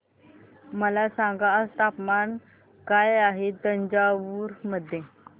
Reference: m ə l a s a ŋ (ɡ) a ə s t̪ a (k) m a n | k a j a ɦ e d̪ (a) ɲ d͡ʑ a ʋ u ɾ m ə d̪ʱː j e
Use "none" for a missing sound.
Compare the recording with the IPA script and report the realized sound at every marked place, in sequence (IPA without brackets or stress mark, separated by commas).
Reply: ɡ, p, ə